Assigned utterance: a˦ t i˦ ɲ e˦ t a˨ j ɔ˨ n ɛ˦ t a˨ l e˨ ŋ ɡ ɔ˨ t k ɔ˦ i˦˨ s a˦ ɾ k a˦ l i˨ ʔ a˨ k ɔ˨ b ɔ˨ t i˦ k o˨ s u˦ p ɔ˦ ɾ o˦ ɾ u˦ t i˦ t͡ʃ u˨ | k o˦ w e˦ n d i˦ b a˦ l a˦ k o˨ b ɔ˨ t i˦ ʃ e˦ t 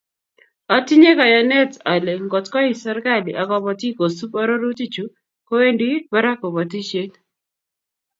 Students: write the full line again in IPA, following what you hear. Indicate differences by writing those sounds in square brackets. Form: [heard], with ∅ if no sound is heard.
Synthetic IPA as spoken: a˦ t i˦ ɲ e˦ [k] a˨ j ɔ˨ n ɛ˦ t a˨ l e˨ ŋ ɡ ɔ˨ t k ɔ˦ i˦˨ s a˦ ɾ k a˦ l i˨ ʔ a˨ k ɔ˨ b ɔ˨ t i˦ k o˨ s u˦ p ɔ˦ ɾ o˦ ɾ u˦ t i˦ t͡ʃ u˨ | k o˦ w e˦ n d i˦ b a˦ [ɾ] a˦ k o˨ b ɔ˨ t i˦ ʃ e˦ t